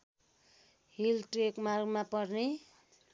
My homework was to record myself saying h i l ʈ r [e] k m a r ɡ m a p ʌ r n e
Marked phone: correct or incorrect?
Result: correct